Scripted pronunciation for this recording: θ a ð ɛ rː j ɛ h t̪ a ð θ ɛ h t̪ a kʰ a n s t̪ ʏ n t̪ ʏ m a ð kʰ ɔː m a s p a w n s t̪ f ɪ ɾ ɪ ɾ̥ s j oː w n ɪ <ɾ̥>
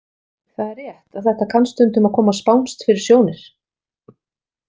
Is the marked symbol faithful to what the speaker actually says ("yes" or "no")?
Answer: yes